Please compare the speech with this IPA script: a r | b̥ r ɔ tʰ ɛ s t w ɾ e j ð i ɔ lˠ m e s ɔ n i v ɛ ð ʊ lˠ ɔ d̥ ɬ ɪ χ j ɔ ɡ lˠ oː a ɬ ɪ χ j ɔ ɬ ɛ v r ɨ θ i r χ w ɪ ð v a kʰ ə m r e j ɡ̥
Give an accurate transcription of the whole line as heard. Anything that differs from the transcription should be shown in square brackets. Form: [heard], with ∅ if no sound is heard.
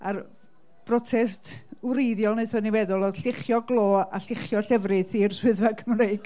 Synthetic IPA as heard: a r | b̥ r ɔ tʰ ɛ s t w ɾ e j ð [j] ɔ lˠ [n] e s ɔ n i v ɛ ð ʊ lˠ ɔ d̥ ɬ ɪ χ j ɔ ɡ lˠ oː a ɬ ɪ χ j ɔ ɬ ɛ v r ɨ θ i r [s] w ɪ ð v a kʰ ə m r e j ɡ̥